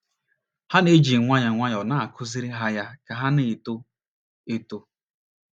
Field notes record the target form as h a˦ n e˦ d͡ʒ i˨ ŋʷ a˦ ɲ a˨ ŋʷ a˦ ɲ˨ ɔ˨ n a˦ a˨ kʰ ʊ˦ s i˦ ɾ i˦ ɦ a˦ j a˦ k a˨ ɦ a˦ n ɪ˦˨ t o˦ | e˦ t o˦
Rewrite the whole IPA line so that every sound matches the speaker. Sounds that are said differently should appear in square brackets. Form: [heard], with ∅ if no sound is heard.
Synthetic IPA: h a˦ n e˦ d͡ʒ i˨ ŋʷ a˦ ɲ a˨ ŋʷ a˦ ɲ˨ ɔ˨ n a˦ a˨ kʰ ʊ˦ [z] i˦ ɾ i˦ ɦ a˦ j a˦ k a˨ ɦ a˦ n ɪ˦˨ t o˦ | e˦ t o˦